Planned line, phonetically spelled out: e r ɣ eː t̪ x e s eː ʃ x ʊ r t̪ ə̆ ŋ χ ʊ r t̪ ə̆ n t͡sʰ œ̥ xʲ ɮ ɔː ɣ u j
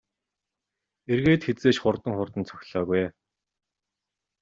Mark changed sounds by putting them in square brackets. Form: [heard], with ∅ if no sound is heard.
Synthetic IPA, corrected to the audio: e r ɣ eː t̪ x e [t͡s] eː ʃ [χ] ʊ r t̪ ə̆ ŋ χ ʊ r t̪ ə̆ n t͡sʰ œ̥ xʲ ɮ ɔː ɣ u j